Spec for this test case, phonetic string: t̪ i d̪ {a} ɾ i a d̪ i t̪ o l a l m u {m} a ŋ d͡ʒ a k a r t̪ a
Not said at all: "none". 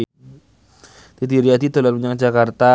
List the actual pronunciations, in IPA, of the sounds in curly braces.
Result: i, ɲ

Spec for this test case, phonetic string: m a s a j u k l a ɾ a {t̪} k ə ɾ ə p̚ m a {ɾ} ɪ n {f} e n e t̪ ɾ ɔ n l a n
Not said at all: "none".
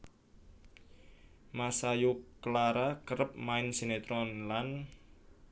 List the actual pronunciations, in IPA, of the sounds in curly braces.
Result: none, none, s

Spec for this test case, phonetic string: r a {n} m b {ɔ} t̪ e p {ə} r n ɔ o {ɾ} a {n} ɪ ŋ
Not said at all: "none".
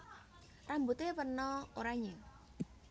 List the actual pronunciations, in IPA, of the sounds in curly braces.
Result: none, u, ə, ɾ, ɲ

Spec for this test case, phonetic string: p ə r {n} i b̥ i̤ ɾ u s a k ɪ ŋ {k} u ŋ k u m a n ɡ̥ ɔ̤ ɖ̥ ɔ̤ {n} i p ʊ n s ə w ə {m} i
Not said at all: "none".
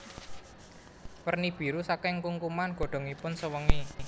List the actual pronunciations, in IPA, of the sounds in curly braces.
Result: n, k, ŋ, ŋ

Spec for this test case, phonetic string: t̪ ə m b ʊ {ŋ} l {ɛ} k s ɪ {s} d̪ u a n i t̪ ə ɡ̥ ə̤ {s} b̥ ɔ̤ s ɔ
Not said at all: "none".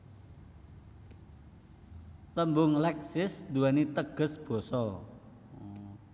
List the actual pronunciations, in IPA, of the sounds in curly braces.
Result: ŋ, ɛ, s, s

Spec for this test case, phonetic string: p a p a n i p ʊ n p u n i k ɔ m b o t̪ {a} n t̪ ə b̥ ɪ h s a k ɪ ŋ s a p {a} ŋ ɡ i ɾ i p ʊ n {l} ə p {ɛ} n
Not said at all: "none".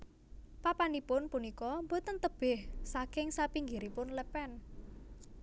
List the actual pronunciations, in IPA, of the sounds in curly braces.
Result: ə, i, l, ɛ

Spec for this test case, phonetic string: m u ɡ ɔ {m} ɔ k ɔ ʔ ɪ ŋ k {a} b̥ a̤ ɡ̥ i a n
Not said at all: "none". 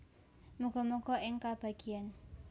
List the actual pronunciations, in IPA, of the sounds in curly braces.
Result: m, a

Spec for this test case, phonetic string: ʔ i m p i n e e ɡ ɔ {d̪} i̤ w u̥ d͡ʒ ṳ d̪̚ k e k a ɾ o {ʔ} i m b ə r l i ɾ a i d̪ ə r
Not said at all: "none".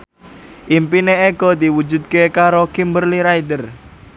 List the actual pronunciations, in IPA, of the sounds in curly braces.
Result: d̪, k

